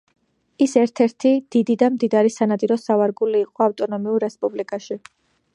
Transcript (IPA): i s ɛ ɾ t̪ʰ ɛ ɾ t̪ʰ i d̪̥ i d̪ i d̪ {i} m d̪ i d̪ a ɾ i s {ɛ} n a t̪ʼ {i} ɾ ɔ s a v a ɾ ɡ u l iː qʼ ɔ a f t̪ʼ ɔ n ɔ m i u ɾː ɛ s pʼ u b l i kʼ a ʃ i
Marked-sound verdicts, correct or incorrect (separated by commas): incorrect, incorrect, correct